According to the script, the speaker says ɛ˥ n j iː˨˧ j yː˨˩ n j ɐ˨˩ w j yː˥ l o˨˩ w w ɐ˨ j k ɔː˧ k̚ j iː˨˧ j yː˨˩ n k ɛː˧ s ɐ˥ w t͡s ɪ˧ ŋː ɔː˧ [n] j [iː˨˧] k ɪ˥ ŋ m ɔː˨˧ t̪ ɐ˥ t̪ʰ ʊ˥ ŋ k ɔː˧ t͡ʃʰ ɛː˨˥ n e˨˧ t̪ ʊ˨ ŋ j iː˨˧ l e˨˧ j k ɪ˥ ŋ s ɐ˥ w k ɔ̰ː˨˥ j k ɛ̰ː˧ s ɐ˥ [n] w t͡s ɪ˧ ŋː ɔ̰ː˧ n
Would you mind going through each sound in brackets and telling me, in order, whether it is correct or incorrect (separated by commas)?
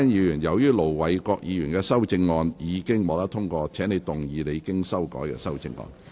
correct, correct, incorrect